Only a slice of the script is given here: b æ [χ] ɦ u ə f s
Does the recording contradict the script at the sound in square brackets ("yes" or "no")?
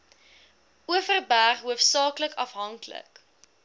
no